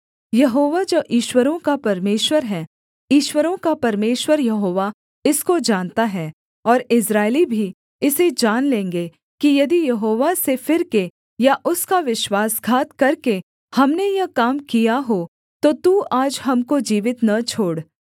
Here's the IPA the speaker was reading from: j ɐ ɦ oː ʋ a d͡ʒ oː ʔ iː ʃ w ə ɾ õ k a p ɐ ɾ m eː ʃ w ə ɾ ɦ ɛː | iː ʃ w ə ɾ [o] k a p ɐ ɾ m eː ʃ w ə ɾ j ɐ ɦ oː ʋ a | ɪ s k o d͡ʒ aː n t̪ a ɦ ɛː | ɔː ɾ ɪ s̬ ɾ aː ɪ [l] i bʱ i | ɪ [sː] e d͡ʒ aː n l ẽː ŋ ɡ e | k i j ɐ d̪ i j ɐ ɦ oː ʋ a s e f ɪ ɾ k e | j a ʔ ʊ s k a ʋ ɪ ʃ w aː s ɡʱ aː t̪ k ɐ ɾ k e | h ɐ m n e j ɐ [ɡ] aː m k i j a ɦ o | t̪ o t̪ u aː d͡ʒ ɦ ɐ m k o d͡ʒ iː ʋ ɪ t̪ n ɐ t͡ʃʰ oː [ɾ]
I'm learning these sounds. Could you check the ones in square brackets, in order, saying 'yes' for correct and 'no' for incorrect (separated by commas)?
no, yes, no, no, no